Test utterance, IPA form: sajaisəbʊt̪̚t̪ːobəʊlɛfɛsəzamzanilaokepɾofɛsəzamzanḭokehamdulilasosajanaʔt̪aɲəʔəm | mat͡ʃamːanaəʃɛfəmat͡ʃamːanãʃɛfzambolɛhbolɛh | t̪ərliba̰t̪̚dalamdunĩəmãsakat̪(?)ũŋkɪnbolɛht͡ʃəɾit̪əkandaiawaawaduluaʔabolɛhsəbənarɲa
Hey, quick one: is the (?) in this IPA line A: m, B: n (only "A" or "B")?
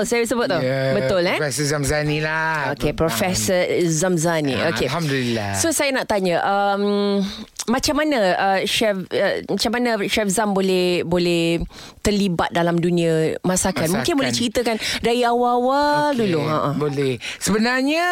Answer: A